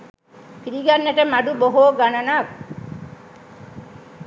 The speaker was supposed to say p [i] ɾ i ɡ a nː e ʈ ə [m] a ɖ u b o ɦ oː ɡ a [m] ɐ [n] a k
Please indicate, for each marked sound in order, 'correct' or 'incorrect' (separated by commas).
correct, correct, incorrect, correct